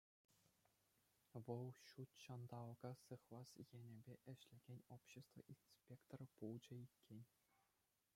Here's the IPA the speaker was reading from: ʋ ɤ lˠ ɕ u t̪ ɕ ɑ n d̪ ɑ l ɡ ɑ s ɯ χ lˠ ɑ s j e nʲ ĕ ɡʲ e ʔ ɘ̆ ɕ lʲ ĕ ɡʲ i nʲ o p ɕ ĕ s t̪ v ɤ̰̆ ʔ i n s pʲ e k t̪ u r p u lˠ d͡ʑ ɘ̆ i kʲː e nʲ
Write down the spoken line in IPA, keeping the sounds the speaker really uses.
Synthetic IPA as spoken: ʋ ɤ lˠ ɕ u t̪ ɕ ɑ n d̪ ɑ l ɡ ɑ s ɯ χ lˠ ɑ s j e nʲ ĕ bʲ e ʔ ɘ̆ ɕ lʲ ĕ ɡʲ e nʲ o p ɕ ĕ s t̪ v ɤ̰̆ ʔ i n s pʲ e k t̪ o r p u lˠ d͡ʑ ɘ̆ i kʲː e nʲ